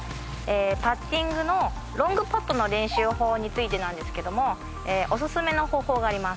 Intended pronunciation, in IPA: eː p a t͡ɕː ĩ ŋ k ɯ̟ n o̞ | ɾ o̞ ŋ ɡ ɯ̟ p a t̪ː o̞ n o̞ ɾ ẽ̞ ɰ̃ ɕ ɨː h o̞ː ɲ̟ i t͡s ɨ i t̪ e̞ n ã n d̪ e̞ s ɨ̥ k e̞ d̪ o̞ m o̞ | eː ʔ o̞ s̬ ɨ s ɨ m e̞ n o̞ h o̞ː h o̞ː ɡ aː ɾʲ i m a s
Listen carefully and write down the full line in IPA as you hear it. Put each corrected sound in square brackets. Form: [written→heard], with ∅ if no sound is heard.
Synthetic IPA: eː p a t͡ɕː ĩ ŋ [k→ɡ] ɯ̟ n o̞ | ɾ [o̞→õ̞] ŋ ɡ ɯ̟ p a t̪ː o̞ n o̞ ɾ ẽ̞ ɰ̃ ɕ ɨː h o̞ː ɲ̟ i t͡s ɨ i t̪ e̞ n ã n d̪ e̞ s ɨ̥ k e̞ d̪ o̞ m o̞ | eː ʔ o̞ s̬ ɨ s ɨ m e̞ n o̞ h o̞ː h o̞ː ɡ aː ɾʲ i m a s